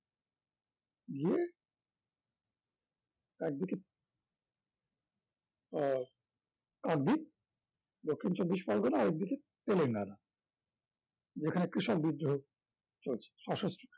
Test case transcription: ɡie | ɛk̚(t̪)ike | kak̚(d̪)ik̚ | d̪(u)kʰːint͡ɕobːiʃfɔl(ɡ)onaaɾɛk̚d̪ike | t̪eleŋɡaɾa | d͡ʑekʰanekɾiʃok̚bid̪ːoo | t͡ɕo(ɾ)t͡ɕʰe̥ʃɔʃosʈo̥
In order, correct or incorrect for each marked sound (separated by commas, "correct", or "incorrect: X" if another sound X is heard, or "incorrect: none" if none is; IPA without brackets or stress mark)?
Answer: incorrect: d̪, correct, incorrect: o, correct, incorrect: l